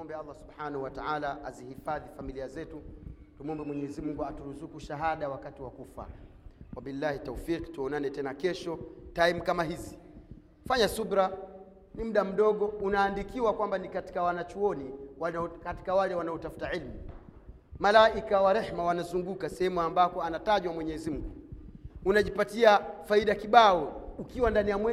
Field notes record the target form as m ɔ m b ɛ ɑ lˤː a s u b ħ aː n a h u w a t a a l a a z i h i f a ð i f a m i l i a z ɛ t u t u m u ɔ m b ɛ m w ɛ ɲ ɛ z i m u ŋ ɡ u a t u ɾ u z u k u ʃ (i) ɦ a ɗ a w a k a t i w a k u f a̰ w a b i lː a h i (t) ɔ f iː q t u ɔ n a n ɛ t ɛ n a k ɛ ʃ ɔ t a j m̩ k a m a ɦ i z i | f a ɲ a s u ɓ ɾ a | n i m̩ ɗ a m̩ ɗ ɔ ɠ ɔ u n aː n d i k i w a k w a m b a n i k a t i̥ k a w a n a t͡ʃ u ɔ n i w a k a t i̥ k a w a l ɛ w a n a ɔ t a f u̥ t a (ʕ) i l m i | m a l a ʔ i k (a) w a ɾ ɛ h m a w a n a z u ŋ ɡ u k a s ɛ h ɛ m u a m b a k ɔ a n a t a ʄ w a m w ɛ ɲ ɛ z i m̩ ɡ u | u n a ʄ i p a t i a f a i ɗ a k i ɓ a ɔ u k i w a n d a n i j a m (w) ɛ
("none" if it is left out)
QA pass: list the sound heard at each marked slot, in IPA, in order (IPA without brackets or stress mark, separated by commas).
a, t, ʕ, a, w